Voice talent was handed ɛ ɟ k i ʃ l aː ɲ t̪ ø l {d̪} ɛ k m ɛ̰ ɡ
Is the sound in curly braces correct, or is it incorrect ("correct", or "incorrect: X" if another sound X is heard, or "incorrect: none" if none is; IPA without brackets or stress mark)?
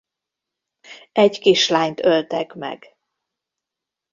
incorrect: t̪